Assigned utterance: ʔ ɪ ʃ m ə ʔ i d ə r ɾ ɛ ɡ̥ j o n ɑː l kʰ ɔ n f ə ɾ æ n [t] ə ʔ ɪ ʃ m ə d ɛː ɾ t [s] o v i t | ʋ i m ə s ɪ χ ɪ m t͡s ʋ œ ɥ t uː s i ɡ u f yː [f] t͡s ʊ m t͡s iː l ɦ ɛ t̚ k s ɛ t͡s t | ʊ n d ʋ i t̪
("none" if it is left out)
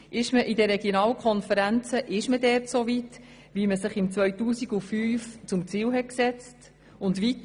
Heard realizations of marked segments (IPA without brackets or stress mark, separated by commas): t͡s, s, f